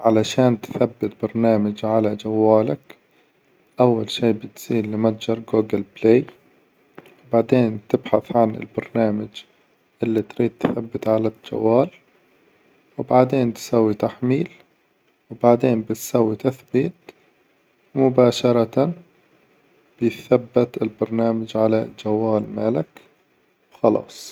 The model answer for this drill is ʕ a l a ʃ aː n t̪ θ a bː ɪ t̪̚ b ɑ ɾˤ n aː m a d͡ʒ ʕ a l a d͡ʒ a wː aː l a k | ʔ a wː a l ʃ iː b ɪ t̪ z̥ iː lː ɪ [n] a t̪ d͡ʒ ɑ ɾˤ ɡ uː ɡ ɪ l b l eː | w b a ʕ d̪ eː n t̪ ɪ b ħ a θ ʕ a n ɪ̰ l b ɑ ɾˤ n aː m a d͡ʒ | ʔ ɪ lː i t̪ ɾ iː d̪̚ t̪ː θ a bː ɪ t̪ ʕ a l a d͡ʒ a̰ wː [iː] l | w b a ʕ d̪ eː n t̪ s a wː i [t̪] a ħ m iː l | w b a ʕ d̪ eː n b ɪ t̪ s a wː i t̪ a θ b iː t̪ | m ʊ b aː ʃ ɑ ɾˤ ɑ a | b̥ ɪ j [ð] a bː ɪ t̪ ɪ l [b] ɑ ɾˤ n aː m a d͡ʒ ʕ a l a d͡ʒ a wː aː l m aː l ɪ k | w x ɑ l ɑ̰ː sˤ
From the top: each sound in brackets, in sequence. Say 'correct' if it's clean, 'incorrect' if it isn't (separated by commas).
incorrect, incorrect, correct, incorrect, correct